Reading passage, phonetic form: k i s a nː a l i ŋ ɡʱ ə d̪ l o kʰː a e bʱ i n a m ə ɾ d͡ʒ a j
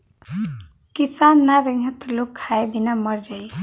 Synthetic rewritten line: k i s a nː a ɾ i ŋ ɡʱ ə t̪ l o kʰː a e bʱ i n a m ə ɾ d͡ʒ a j